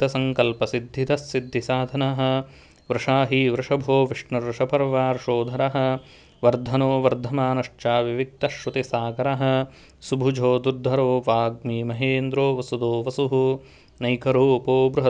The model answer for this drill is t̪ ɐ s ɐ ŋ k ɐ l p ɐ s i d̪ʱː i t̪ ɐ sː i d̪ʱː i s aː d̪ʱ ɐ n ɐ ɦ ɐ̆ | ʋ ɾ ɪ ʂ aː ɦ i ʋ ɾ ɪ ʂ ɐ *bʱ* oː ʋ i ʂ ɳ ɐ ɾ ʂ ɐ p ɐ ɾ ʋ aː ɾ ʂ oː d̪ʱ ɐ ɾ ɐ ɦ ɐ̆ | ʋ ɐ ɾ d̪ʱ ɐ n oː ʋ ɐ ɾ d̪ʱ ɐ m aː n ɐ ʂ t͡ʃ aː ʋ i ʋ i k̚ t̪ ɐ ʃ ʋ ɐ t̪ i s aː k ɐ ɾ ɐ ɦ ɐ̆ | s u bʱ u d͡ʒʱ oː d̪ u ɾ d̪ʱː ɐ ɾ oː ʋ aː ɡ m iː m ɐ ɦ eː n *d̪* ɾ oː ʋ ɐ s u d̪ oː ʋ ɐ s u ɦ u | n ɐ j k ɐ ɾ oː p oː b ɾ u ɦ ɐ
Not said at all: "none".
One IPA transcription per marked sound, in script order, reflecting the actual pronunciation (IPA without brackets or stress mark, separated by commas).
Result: bʱ, d̪